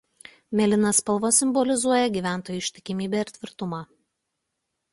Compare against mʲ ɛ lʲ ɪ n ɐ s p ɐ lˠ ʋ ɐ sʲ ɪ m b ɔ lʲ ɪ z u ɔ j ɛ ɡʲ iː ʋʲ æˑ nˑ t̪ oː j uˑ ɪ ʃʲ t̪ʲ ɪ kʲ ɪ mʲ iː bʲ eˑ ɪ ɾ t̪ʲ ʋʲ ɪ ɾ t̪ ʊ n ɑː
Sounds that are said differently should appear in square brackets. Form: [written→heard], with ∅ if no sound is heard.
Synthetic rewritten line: mʲ ɛ lʲ ɪ n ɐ s p ɐ lˠ ʋ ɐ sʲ ɪ m b ɔ lʲ ɪ z u ɔ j ɛ ɡʲ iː ʋʲ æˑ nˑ t̪ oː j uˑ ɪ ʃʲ t̪ʲ ɪ kʲ ɪ mʲ iː bʲ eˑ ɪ ɾ t̪ʲ ʋʲ ɪ ɾ t̪ ʊ [n→m] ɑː